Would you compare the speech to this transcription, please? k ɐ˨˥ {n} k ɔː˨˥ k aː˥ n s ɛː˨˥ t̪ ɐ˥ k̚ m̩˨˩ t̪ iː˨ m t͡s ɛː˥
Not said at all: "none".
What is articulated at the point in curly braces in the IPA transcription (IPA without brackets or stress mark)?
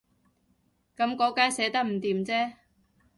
m